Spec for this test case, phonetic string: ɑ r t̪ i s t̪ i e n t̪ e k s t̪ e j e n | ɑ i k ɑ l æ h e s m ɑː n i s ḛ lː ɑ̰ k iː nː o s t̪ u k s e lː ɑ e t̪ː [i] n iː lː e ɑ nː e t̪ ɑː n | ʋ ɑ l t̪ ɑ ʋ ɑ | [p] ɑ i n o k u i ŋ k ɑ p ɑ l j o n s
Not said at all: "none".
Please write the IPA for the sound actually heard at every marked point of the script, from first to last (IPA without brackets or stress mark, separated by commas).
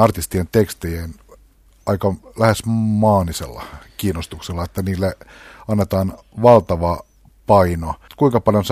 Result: æ, p